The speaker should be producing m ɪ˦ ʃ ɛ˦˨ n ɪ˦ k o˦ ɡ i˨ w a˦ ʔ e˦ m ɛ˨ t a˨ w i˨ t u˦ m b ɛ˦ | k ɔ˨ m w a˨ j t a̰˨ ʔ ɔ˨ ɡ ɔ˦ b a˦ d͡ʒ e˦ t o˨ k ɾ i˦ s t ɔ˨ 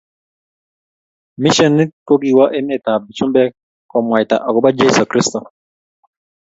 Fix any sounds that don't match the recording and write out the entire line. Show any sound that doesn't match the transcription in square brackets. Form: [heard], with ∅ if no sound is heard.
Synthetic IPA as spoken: m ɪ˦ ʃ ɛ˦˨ n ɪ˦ k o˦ ɡ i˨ w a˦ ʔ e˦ m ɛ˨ t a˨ [b] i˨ [t͡ʃ] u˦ m b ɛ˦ | k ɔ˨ m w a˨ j t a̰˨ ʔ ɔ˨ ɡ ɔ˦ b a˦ d͡ʒ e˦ [s] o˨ k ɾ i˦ s t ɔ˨